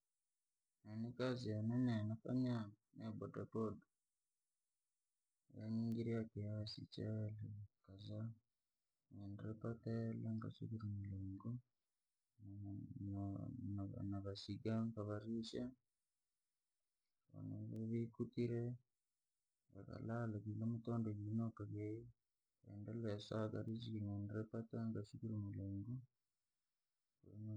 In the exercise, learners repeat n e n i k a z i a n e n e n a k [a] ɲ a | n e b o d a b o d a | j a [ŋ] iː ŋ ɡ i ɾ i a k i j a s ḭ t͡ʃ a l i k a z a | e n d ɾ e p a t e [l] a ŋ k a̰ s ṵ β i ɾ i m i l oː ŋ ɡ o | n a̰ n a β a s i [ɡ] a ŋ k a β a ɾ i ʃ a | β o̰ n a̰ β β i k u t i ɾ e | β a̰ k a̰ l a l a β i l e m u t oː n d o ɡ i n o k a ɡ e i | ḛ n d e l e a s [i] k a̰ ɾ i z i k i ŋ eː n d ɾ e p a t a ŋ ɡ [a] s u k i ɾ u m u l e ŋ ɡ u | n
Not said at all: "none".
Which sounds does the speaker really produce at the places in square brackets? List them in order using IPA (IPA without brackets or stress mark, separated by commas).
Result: a, ɲ, l, ɡ, a, a